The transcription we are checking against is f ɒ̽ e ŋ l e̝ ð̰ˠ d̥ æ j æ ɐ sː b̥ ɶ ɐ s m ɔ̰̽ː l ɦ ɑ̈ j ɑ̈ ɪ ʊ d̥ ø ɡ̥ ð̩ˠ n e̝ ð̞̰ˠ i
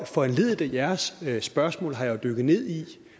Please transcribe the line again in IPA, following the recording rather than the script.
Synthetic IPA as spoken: f ɒ̽ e n l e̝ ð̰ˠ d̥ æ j æ ɐ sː b̥ ɶ ɐ s m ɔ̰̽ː l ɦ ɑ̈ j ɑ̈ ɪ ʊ d̥ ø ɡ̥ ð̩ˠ n e̝ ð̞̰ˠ i